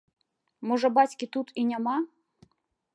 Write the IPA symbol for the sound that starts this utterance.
m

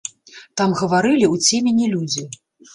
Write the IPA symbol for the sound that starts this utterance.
t̪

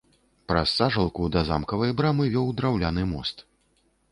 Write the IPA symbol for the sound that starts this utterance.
p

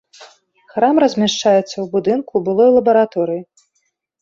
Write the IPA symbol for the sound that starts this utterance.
x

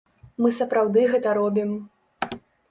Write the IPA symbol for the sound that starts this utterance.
m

